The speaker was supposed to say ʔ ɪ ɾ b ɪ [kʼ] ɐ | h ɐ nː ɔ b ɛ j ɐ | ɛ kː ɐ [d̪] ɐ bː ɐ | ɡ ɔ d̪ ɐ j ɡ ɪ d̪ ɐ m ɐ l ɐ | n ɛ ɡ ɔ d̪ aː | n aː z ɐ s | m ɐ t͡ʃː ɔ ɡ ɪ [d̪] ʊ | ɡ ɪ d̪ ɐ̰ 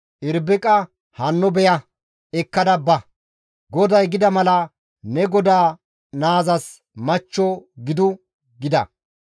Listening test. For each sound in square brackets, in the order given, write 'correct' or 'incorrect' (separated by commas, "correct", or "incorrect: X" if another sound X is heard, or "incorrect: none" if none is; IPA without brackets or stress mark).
correct, correct, correct